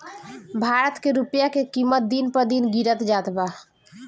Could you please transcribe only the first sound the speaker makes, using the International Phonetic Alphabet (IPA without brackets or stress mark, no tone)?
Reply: bʱ